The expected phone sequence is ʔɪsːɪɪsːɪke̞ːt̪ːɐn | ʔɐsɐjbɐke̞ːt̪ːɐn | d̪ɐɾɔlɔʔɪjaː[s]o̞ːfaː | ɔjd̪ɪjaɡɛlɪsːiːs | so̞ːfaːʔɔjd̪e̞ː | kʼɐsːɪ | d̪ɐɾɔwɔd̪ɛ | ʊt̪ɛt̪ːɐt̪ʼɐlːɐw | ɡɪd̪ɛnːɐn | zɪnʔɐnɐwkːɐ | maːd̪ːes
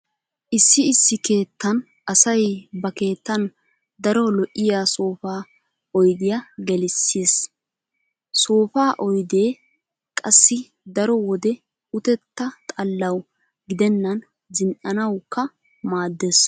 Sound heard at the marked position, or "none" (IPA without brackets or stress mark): s